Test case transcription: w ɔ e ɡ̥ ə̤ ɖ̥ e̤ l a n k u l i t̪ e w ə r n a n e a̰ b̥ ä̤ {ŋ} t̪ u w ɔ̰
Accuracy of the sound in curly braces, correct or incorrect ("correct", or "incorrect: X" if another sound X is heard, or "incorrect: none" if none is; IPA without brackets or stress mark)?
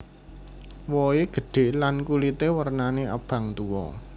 correct